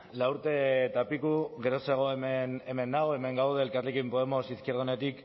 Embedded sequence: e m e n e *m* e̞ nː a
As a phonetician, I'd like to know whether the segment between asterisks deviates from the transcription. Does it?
no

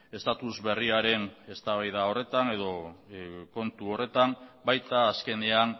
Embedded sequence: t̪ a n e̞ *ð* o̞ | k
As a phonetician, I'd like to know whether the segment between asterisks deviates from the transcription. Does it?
no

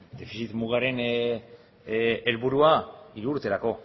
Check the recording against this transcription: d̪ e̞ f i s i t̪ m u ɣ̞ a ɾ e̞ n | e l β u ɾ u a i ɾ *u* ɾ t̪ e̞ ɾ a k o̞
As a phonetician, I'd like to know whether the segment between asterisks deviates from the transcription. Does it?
yes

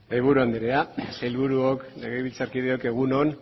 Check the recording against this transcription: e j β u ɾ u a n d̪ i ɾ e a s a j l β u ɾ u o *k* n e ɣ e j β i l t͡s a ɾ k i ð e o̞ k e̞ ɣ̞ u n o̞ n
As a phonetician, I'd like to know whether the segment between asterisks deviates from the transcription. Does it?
no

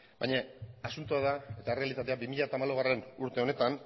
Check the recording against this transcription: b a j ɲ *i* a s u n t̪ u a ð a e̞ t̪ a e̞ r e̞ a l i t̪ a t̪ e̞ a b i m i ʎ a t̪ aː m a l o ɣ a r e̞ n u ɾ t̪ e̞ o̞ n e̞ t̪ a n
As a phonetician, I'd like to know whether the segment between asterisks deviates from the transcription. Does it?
yes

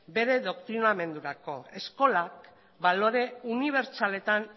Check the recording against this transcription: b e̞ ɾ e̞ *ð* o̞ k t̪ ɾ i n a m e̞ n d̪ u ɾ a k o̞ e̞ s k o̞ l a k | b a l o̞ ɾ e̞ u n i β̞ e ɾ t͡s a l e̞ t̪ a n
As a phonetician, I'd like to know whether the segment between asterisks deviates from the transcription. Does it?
no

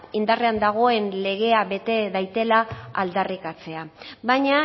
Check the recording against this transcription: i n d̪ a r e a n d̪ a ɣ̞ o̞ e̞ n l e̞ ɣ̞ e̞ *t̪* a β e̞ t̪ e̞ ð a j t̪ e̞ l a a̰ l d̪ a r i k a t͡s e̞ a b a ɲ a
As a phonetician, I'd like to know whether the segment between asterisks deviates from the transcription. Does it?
yes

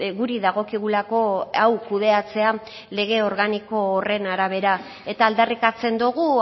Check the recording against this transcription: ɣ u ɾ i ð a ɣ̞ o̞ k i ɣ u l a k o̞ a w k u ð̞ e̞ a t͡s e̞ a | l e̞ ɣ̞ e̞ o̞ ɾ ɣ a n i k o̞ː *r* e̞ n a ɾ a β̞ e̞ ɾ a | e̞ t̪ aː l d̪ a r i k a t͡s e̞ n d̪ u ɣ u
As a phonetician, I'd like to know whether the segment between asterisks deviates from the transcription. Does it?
no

